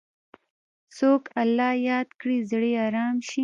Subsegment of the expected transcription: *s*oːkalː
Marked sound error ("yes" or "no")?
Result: no